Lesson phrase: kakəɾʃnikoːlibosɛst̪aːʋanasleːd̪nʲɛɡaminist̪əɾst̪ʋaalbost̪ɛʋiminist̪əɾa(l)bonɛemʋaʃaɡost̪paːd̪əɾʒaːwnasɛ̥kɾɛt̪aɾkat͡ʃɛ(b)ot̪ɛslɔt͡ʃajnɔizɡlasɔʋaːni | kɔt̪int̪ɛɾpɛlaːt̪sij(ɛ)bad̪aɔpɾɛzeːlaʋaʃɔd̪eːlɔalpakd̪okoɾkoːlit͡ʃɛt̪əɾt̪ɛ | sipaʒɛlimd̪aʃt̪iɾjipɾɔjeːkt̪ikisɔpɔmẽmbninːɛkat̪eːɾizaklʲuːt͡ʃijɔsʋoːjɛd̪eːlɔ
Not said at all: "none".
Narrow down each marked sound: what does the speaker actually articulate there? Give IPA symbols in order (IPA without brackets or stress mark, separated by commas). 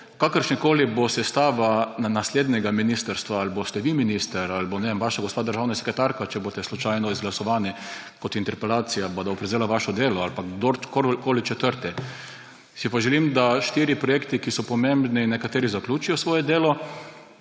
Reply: l, b, a